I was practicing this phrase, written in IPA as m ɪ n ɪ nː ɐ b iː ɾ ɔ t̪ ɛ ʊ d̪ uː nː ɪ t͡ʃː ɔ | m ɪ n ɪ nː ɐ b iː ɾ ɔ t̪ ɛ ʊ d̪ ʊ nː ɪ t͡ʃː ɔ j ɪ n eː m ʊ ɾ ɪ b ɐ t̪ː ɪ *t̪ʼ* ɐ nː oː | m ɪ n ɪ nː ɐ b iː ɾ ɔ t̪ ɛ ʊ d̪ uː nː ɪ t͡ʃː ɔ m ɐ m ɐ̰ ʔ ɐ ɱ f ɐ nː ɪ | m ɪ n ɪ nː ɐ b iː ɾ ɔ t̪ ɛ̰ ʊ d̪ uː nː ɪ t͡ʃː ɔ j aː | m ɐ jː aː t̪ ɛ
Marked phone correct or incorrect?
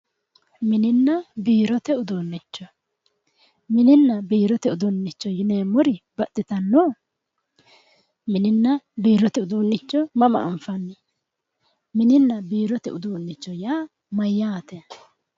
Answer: incorrect: t̪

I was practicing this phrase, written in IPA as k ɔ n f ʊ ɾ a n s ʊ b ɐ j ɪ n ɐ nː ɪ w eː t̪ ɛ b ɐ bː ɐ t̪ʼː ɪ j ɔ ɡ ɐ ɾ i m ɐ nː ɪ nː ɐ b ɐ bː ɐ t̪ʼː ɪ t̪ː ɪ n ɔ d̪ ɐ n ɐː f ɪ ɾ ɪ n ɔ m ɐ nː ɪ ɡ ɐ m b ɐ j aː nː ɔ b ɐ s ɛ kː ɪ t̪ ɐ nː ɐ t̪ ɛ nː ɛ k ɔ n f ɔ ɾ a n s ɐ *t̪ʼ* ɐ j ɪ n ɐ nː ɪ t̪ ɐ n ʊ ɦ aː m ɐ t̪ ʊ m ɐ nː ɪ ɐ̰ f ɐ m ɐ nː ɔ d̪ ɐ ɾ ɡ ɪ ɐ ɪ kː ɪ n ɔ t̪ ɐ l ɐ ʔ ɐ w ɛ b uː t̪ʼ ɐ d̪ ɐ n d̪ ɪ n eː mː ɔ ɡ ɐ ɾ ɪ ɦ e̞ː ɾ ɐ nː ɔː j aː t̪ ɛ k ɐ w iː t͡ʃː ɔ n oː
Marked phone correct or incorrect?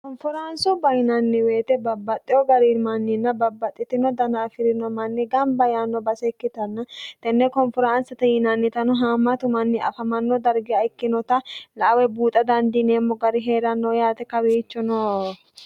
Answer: incorrect: t̪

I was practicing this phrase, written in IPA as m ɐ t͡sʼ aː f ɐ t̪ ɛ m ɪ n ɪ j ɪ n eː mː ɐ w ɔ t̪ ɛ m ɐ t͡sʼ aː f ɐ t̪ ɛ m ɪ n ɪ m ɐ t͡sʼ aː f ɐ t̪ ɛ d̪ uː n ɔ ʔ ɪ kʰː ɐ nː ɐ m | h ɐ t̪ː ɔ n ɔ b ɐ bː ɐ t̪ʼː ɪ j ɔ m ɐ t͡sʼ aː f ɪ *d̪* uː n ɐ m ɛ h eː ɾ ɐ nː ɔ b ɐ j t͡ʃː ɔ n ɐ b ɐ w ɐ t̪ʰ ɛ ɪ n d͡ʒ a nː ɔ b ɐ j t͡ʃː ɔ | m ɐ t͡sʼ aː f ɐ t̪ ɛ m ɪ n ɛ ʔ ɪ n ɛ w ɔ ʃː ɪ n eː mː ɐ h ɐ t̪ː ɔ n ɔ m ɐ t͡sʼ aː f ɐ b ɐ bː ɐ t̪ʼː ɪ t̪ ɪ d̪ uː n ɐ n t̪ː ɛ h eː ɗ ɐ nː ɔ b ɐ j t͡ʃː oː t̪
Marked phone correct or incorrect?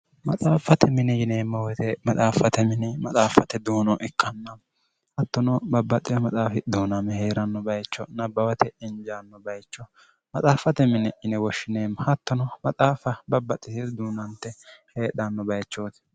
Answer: correct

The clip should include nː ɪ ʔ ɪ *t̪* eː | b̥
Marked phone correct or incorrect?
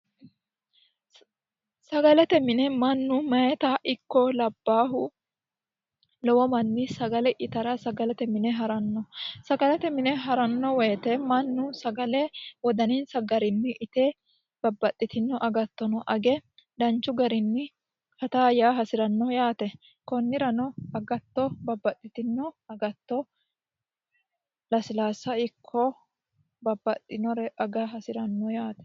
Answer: correct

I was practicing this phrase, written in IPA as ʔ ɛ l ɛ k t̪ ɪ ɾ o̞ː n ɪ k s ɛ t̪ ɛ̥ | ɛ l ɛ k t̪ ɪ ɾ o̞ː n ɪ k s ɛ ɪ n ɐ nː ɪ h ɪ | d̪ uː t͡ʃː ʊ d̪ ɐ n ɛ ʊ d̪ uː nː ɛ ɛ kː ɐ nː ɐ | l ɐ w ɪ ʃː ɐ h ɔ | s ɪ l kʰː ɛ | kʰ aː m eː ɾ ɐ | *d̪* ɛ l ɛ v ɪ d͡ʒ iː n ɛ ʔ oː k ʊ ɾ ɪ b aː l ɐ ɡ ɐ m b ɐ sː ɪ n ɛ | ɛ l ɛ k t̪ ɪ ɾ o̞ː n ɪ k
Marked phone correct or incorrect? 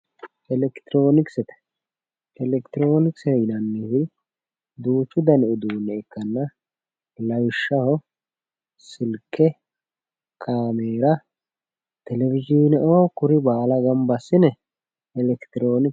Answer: incorrect: t̪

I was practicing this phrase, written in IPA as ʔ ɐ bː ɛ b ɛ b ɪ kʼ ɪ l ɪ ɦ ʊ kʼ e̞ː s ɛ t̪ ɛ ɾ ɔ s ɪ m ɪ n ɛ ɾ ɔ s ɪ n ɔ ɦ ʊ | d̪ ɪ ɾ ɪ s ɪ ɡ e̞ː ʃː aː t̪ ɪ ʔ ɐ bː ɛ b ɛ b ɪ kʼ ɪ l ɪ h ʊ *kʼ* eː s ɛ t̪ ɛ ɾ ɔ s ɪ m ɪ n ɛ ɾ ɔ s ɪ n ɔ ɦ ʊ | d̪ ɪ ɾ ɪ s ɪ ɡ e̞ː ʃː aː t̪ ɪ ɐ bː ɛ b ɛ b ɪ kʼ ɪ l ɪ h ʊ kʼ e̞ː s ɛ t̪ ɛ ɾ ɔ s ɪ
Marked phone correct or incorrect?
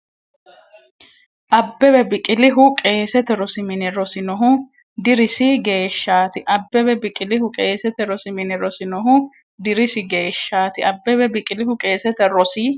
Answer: correct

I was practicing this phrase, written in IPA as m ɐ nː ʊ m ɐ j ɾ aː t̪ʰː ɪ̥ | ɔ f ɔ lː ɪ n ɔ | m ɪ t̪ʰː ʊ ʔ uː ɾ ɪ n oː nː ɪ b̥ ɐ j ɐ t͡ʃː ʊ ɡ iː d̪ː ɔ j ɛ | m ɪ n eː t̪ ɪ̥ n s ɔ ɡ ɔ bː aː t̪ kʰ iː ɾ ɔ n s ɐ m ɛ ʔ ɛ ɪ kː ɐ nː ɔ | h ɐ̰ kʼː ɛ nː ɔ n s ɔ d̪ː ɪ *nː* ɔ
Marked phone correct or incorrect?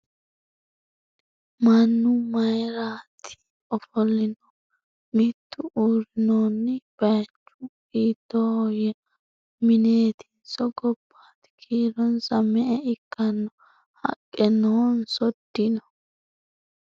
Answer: incorrect: n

